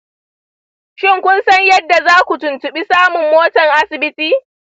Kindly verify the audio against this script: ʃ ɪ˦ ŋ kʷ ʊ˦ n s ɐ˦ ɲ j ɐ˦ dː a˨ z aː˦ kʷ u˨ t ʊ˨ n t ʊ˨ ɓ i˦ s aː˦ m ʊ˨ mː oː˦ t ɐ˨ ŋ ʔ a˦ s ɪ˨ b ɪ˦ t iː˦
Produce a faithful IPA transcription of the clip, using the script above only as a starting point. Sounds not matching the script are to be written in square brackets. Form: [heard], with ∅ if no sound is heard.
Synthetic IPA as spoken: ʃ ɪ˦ ŋ kʷ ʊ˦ n s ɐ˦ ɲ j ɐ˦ dː a˨ z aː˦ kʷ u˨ t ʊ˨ n t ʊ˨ ɓ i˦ s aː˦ m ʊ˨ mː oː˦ t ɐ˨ ŋ ʔ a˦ s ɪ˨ b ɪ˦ t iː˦

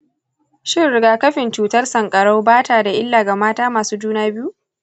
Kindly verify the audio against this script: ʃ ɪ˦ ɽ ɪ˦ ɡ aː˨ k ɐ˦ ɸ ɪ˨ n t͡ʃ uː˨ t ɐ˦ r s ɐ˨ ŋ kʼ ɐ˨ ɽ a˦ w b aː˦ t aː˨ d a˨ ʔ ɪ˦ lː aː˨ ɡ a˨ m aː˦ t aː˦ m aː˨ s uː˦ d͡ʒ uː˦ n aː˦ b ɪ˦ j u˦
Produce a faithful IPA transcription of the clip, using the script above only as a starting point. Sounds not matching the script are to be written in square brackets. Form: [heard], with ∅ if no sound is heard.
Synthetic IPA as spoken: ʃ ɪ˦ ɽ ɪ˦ ɡ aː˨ k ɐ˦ ɸ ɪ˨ n t͡ʃ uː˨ t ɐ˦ r s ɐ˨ ŋ kʼ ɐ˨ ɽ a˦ w b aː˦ t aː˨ d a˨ ʔ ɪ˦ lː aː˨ ɡ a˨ m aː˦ t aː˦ m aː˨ s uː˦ d͡ʒ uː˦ n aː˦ b ɪ˦ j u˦

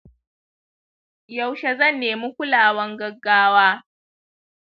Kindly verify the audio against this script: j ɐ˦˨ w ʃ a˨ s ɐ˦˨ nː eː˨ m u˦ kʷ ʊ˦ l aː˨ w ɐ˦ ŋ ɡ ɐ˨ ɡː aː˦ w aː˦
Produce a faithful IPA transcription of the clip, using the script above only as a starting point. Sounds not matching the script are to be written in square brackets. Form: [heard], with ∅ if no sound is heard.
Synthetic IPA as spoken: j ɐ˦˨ w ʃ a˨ [z] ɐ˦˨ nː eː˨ m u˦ kʷ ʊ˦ l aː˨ w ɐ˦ ŋ ɡ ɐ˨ ɡː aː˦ w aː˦

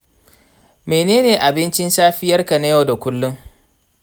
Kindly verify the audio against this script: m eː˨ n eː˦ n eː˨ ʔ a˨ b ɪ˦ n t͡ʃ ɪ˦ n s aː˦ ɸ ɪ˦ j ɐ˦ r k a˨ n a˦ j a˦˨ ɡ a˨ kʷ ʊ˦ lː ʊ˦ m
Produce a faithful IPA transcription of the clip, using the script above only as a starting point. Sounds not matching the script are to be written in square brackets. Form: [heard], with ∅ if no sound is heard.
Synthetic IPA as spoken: m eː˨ n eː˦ n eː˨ ʔ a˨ b ɪ˦ n t͡ʃ ɪ˦ n s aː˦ ɸ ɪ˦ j ɐ˦ r k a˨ n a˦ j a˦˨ [d] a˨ kʷ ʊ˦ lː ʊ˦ [ŋ]

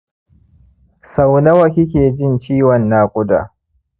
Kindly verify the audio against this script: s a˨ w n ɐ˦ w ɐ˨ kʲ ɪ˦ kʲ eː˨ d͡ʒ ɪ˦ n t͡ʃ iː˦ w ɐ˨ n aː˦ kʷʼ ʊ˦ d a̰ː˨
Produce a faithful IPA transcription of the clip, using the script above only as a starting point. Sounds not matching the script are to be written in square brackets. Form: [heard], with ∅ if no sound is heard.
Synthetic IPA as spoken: s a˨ w n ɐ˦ w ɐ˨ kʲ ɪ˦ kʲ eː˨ d͡ʒ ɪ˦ n t͡ʃ iː˦ w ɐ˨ [nː] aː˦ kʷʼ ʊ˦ d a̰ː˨

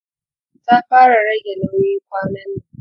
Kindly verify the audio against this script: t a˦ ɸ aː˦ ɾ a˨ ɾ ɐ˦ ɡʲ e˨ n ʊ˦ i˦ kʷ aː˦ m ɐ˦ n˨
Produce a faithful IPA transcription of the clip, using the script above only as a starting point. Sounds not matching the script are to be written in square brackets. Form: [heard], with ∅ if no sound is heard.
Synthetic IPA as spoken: t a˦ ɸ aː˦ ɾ a˨ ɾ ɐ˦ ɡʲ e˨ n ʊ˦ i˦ kʷ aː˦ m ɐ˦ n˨

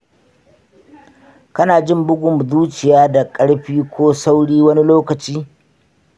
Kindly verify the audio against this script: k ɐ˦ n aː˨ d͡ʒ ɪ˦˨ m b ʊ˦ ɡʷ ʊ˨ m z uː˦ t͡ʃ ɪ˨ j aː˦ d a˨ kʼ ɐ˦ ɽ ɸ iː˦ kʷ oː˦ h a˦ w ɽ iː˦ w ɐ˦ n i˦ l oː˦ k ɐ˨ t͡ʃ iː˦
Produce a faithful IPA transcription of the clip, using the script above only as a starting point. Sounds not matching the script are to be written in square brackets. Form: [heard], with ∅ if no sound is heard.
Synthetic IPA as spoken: k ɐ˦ n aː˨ d͡ʒ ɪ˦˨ m b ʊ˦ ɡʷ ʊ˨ m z uː˦ t͡ʃ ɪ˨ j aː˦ d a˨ kʼ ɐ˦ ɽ ɸ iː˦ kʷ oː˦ [s] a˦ w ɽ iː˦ w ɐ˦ n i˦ l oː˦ k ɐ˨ t͡ʃ iː˦

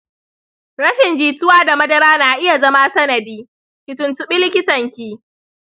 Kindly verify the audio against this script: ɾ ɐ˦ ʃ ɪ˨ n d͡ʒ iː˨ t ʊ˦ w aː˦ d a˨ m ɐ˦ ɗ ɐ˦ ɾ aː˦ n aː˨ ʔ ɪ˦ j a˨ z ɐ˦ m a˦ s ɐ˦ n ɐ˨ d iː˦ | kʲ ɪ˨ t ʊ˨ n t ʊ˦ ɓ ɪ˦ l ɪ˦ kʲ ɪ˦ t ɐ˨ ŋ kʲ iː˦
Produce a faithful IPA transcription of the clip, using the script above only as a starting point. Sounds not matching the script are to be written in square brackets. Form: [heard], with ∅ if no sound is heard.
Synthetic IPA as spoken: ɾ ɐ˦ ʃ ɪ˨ n d͡ʒ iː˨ t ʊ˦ w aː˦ d a˨ m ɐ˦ [d] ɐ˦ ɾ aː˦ n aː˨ ʔ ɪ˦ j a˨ z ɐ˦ m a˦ s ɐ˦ n ɐ˨ d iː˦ | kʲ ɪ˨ t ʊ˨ n t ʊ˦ ɓ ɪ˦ l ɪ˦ kʲ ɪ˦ t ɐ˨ ŋ kʲ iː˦

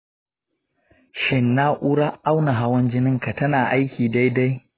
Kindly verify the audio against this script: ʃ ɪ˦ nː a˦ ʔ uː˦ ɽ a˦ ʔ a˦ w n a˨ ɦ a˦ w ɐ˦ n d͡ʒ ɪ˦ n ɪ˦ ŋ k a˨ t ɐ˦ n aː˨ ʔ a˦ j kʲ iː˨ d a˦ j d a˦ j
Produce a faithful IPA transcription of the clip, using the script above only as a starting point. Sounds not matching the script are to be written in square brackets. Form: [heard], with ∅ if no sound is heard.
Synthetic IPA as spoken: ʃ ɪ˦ nː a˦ ʔ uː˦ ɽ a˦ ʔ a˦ w n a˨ ɦ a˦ w ɐ˦ n d͡ʒ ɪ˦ n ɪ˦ ŋ k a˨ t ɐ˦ n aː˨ ʔ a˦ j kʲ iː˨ d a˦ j d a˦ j

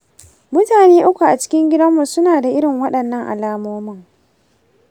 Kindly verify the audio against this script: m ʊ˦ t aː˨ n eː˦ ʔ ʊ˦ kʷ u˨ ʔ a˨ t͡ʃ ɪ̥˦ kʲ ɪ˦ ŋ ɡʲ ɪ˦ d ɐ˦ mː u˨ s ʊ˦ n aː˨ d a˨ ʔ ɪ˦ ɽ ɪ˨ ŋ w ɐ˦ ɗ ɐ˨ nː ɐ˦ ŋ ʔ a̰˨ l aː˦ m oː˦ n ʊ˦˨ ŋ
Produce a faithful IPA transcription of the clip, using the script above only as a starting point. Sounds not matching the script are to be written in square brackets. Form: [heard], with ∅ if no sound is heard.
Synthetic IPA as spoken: m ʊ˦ t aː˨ n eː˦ ʔ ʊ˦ kʷ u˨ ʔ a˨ t͡ʃ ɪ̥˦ kʲ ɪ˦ ŋ ɡʲ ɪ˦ d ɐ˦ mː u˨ s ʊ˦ n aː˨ d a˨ ʔ ɪ˦ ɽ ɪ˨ ŋ w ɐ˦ ɗ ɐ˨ nː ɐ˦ ŋ ʔ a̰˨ l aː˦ m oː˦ [m] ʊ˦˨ ŋ

